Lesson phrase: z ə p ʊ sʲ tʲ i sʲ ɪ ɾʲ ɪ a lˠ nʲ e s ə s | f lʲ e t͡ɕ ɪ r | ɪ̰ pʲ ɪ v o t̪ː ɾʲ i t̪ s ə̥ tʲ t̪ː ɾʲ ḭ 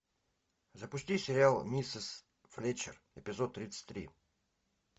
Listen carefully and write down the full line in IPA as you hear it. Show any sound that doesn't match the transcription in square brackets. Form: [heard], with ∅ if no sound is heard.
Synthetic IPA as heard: z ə p ʊ sʲ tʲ i sʲ ɪ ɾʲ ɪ a lˠ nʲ [i] s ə s | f lʲ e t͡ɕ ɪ r | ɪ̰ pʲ ɪ [z] o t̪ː ɾʲ i t̪ s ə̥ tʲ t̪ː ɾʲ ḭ